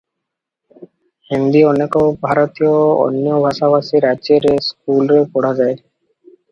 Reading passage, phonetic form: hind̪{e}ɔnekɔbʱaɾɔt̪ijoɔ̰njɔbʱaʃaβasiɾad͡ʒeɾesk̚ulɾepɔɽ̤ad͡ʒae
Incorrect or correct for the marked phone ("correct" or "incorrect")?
incorrect